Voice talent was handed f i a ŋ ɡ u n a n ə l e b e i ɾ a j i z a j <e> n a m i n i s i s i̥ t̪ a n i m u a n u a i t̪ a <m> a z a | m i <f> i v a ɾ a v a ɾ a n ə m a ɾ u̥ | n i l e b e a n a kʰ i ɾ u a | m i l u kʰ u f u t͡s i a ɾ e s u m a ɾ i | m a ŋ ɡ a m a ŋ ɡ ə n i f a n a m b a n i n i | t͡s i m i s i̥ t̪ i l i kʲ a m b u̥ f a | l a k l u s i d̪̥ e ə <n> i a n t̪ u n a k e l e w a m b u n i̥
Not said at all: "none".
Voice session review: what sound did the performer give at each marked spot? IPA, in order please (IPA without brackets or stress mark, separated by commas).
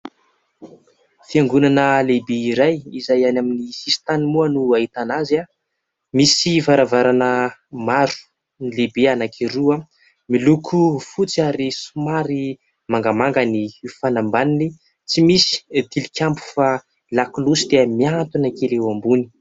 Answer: a, n, s, m